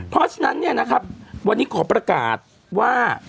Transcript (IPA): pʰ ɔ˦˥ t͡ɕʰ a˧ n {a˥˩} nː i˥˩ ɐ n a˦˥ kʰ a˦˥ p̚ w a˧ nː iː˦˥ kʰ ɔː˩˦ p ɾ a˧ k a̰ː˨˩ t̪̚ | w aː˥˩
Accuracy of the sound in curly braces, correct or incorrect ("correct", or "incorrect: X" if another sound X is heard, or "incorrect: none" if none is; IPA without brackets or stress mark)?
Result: incorrect: a˦˥